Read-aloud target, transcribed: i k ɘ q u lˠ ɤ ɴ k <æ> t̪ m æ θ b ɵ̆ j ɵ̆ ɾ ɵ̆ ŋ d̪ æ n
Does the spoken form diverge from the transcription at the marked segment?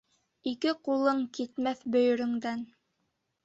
yes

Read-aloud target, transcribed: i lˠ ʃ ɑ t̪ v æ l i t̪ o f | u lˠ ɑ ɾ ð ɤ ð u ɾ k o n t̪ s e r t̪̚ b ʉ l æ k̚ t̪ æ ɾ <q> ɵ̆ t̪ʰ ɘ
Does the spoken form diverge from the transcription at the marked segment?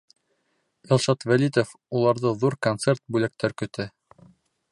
yes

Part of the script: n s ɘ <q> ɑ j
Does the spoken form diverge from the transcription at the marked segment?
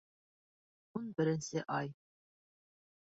yes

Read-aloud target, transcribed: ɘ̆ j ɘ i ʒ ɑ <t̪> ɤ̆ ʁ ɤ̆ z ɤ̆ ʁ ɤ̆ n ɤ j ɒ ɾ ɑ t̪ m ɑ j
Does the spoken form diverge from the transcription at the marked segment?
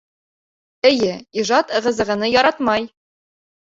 no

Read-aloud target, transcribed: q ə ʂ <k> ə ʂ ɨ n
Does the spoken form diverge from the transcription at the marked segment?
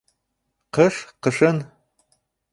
yes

